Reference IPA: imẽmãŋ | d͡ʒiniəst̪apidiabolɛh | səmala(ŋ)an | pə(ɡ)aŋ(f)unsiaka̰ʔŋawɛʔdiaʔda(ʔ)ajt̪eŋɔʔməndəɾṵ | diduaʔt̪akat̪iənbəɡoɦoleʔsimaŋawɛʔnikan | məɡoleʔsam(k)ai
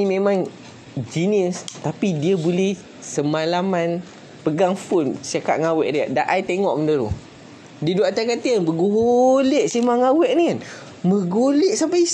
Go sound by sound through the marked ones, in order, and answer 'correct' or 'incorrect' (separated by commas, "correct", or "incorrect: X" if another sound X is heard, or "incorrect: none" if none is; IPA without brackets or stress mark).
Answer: incorrect: m, correct, correct, correct, incorrect: p